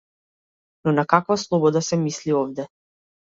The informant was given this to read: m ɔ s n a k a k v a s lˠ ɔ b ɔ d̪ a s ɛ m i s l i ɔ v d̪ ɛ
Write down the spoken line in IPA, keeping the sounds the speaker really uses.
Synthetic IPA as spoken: n ɔ n a k a k v a s lˠ ɔ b ɔ d̪ a s ɛ m i s l i ɔ v d̪ ɛ